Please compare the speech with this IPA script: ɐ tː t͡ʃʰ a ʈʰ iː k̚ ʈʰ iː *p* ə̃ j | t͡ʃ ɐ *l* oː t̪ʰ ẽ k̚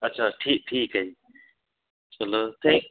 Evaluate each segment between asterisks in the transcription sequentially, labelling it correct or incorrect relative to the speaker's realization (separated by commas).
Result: incorrect, correct